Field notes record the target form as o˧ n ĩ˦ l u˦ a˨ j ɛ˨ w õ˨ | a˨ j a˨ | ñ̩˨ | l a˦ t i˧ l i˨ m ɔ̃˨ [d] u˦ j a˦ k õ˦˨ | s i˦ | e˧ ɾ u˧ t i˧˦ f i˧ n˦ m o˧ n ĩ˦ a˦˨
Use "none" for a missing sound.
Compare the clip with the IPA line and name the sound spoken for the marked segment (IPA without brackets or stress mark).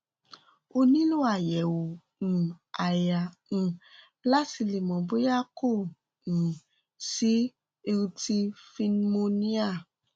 b